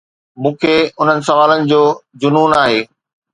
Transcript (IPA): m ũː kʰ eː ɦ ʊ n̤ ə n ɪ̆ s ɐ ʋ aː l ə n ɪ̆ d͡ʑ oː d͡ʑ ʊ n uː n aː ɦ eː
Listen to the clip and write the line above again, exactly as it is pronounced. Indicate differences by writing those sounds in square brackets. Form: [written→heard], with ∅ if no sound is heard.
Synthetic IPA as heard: m ũː kʰ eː [ɦ→∅] ʊ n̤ ə n ɪ̆ s ɐ ʋ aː l ə n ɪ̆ d͡ʑ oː d͡ʑ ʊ n uː n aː ɦ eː